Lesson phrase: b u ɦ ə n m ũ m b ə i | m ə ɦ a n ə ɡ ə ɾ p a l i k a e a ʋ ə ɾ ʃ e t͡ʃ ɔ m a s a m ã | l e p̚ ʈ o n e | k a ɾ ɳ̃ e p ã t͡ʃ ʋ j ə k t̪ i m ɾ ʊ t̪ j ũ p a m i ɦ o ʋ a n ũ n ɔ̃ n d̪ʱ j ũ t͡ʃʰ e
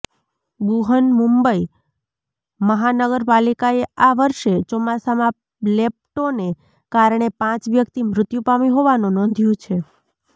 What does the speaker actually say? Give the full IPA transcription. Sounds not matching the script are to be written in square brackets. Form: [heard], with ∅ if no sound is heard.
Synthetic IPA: b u ɦ ə n m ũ m b ə i | m ə ɦ a n ə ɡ ə ɾ p a l i k a e a ʋ ə ɾ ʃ e t͡ʃ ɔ m a s a m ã | l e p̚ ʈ o n e | k a ɾ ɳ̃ e p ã t͡ʃ ʋ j ə k t̪ i m ɾ ʊ t̪ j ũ p a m i ɦ o ʋ a n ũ n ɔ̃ n d̪ʱ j ũ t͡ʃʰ e